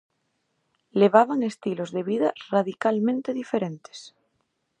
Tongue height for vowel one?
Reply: mid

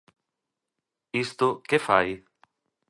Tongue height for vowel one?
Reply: high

